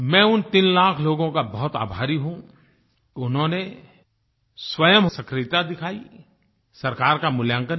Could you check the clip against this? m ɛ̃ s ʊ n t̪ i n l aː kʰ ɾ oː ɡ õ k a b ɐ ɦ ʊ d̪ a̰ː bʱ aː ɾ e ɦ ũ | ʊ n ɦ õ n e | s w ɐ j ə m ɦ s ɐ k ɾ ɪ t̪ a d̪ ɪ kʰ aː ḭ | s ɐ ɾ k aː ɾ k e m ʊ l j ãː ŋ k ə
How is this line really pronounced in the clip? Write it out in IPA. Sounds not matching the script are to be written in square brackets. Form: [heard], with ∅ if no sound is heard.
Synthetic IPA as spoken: m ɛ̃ [∅] ʊ n t̪ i n l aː kʰ [l] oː ɡ õ k a b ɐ ɦ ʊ [t̪] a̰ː bʱ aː ɾ [i] ɦ ũ | ʊ n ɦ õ n e | s w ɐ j ə m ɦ s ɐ k ɾ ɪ t̪ a d̪ ɪ kʰ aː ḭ | s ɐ ɾ k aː ɾ k [a] m ʊ l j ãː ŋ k ə